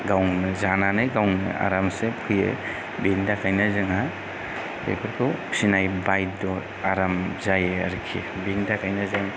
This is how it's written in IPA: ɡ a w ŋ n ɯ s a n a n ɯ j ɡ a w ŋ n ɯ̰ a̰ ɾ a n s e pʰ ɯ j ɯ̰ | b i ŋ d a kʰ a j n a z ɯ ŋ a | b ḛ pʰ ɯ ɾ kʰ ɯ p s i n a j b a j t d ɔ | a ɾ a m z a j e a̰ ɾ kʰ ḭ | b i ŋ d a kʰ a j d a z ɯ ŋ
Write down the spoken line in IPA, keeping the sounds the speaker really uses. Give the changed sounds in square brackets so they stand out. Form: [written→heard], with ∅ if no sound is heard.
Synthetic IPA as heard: ɡ a w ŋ n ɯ [s→z] a n a n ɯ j ɡ a w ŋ n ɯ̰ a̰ ɾ a [n→m] s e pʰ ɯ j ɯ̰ | b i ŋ d a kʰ a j n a z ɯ ŋ a | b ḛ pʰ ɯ ɾ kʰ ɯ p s i n a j b a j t d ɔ | a ɾ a m z a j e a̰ ɾ kʰ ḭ | b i ŋ d a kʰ a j [d→n] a z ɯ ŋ